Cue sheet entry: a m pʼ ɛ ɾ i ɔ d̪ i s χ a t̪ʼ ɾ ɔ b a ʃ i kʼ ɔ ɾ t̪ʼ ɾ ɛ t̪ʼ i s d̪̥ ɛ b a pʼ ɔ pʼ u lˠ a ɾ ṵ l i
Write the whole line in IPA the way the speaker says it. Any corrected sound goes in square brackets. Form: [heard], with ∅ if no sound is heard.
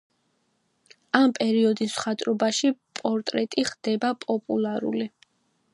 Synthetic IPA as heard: a m pʼ ɛ ɾ i ɔ d̪ i s χ a t̪ʼ ɾ ɔ b a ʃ i [pʼ] ɔ ɾ t̪ʼ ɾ ɛ t̪ʼ i [χ] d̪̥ ɛ b a pʼ ɔ pʼ u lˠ a ɾ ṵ l i